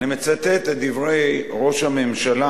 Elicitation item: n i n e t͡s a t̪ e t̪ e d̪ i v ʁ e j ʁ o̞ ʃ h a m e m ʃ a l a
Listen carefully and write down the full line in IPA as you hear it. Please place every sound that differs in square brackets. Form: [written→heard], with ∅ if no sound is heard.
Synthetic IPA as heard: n i [n→m] e t͡s a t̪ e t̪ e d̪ i v ʁ e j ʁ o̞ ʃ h a m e m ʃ a l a